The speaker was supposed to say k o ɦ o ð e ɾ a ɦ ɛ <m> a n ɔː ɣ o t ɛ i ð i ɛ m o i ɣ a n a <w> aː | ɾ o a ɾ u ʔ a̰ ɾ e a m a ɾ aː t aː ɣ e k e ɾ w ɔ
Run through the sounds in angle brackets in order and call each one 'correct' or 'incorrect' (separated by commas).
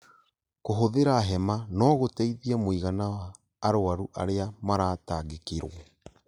correct, correct